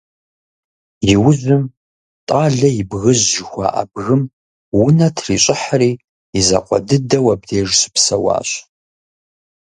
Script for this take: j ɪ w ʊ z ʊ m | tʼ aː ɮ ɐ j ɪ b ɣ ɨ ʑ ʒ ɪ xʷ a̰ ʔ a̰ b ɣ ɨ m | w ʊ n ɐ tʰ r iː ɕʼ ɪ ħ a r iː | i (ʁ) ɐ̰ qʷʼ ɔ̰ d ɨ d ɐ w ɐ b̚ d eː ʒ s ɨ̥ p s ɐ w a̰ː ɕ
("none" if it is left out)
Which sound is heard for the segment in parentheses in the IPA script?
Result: z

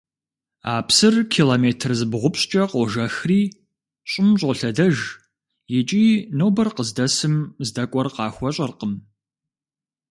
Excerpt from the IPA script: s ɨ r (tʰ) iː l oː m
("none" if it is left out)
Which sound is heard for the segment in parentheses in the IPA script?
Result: kʰ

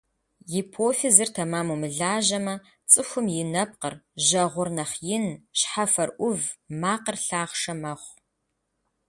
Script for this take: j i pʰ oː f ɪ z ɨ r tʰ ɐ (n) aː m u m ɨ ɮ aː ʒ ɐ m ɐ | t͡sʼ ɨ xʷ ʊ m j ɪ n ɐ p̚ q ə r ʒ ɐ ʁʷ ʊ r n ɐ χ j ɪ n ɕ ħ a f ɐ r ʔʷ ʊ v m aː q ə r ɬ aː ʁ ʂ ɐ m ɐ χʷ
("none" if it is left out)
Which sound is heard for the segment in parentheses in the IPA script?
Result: m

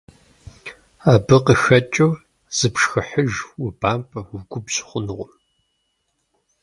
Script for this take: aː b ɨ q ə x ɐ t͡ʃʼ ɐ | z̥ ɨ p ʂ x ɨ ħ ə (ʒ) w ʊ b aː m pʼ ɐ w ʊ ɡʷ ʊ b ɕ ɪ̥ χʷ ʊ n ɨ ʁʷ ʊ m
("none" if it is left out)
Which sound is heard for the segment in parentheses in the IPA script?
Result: ʒ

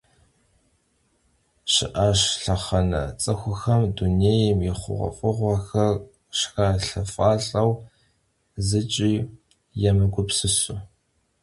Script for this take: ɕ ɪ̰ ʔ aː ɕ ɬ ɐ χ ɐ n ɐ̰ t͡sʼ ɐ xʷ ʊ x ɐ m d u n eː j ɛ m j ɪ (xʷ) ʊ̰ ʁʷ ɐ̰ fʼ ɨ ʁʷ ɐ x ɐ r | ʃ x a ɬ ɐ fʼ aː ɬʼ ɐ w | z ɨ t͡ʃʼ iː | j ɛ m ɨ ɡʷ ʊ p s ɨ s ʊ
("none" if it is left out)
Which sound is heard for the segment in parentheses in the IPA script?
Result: χʷ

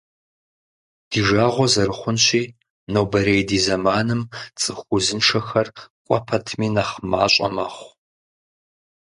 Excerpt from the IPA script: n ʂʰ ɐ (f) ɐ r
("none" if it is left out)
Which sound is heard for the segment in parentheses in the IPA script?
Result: x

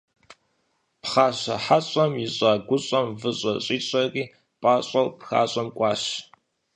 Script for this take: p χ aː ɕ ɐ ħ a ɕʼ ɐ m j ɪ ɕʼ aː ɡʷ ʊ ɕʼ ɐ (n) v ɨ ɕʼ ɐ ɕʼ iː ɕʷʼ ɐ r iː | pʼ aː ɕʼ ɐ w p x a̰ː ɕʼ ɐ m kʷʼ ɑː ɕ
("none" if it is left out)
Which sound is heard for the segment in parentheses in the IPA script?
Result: m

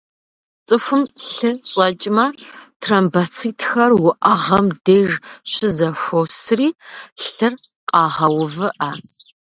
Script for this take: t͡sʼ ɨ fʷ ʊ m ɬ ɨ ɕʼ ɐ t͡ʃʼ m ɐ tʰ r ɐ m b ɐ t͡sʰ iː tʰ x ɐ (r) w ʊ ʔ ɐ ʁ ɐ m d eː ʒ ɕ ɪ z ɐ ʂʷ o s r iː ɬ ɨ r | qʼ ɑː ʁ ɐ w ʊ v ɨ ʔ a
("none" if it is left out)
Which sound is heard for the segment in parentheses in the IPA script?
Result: r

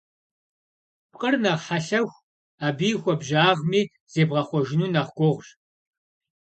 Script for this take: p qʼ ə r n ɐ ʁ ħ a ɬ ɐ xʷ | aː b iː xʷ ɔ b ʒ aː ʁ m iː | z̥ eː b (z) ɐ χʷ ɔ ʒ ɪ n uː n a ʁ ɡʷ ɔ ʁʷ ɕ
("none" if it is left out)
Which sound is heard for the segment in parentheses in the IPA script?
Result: ʁ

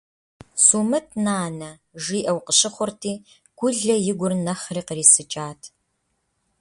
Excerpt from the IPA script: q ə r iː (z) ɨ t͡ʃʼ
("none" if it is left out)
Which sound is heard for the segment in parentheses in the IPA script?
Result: s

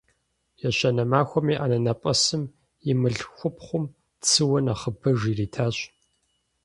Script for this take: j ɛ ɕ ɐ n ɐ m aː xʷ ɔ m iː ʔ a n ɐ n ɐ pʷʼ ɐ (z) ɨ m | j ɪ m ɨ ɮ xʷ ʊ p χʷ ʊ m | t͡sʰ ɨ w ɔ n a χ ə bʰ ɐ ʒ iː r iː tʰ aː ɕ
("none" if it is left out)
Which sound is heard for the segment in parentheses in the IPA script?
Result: s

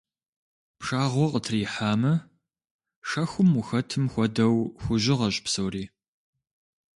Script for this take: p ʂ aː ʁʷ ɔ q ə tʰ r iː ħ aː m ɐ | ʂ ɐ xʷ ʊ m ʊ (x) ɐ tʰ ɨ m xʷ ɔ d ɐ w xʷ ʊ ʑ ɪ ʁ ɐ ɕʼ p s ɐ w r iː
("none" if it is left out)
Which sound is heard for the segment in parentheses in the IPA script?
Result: x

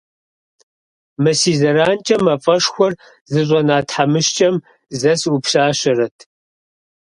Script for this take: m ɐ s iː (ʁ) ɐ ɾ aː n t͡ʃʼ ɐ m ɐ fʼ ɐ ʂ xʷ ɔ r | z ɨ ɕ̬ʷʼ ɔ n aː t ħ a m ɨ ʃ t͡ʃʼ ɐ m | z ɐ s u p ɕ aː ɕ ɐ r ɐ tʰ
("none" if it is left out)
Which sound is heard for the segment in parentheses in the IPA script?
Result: z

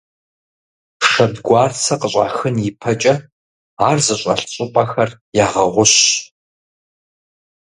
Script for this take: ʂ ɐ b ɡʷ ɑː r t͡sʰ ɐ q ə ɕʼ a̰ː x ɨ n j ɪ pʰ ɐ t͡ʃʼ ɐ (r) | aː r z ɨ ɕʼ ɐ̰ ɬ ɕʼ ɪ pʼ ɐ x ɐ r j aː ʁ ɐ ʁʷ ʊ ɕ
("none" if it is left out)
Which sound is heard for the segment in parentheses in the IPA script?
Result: none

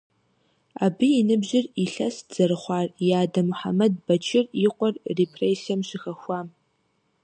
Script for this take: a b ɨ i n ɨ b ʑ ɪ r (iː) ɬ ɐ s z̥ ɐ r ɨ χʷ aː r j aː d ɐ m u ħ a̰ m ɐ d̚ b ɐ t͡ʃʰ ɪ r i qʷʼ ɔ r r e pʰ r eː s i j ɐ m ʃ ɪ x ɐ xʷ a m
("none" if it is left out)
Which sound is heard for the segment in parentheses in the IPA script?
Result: i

